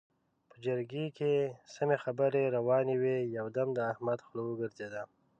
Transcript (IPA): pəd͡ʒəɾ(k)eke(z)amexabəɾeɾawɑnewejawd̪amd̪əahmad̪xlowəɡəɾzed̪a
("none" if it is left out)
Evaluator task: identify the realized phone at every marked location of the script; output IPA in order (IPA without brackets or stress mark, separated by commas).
ɡ, s